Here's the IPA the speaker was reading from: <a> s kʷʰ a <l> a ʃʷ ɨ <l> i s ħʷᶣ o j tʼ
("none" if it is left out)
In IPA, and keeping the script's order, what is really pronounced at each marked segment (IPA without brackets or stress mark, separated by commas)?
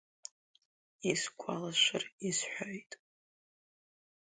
i, l, r